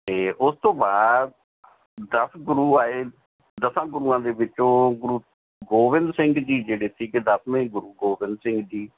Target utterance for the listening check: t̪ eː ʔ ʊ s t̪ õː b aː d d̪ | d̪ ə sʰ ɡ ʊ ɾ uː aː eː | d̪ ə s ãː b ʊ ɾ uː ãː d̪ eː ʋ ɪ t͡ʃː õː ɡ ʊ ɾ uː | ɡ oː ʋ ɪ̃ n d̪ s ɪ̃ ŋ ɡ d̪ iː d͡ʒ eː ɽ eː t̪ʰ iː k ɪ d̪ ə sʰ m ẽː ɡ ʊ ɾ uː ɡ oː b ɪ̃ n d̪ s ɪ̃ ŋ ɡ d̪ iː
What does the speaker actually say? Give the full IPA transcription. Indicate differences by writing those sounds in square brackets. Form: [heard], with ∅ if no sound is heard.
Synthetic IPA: t̪ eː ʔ ʊ s t̪ õː b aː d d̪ | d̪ ə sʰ ɡ ʊ ɾ uː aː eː | d̪ ə s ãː [ɡ] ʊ ɾ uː ãː d̪ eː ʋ ɪ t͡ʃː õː ɡ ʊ ɾ uː | ɡ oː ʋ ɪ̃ n d̪ s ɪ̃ ŋ ɡ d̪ iː d͡ʒ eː ɽ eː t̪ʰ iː k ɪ d̪ ə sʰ m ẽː ɡ ʊ ɾ uː ɡ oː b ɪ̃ n d̪ s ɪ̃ ŋ ɡ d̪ iː